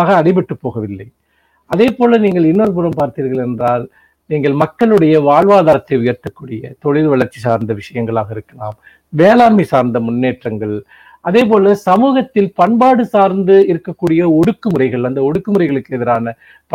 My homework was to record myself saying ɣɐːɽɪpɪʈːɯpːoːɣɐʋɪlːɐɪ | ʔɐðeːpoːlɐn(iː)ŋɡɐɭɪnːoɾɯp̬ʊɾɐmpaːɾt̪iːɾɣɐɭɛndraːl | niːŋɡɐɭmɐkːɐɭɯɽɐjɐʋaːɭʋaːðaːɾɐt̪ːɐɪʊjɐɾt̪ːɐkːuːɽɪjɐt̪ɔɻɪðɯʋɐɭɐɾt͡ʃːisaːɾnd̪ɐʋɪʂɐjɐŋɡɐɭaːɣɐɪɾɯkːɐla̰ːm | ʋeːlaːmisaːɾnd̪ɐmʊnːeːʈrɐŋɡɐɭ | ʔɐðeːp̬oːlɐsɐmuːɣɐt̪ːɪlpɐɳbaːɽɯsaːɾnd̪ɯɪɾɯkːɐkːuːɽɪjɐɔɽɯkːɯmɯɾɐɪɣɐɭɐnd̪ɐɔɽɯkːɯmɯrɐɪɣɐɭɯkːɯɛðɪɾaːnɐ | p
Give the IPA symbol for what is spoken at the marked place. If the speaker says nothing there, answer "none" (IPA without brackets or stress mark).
iː